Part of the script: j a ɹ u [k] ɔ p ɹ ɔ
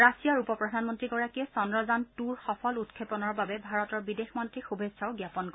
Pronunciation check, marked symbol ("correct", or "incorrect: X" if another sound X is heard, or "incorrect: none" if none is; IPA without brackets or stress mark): incorrect: p